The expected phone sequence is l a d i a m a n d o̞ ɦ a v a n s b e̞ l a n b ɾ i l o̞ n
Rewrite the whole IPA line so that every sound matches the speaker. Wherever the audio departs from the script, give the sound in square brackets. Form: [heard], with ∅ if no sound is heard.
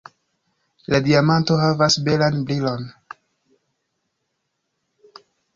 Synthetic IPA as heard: l a d i a m a n [t] o̞ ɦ a v a [∅] s b e̞ l a n b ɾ i l o̞ n